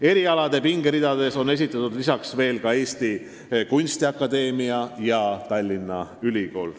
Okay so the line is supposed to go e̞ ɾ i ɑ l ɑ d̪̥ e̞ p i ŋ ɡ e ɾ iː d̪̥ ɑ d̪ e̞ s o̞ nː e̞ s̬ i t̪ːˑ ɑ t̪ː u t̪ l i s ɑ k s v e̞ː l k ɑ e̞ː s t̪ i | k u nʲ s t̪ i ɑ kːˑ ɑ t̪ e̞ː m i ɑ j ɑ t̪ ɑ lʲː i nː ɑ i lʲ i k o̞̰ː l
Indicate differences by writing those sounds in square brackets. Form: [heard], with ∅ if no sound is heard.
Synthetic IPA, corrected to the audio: e̞ ɾ i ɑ l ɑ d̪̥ e̞ p i ŋ ɡ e ɾ [i] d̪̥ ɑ d̪ e̞ s o̞ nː e̞ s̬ i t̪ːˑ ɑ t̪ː u [d̪] l i s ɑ k s v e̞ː l k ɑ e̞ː s t̪ i | k u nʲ s t̪ i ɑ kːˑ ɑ [d̪] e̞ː m i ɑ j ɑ t̪ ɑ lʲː i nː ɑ [y] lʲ i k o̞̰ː l